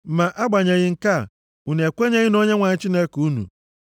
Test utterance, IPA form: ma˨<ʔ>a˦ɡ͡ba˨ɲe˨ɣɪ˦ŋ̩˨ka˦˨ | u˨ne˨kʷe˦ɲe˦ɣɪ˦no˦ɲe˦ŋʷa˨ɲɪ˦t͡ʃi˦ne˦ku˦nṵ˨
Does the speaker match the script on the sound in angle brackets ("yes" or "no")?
yes